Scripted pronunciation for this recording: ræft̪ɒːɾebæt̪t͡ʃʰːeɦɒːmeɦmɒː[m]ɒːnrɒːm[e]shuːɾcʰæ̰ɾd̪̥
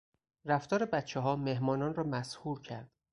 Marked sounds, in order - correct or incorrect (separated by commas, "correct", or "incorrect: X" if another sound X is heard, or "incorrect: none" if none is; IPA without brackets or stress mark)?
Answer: incorrect: n, incorrect: æ